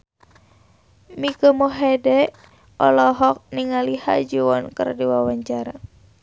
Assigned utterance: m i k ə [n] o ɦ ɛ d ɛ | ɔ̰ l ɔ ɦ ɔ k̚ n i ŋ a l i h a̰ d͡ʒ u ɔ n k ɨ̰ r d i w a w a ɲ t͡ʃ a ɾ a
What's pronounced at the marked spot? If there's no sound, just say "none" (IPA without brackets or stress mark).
m